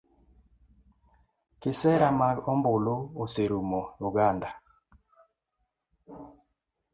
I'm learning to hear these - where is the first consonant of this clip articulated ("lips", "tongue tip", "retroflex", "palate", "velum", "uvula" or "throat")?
velum